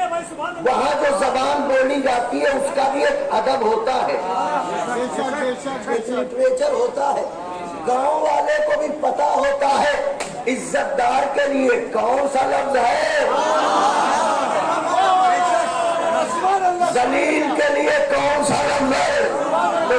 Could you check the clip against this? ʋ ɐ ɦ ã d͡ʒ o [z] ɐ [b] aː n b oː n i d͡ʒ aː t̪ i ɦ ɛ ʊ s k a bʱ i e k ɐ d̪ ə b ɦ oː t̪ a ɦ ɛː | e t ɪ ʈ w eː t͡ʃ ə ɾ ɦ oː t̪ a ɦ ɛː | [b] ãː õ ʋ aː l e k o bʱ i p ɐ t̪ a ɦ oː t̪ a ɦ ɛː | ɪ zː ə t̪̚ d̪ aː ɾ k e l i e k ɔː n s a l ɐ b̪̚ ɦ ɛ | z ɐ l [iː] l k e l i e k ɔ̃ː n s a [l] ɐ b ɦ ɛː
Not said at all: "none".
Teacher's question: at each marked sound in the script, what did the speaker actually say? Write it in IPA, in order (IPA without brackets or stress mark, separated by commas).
z, b, ɡ, iː, l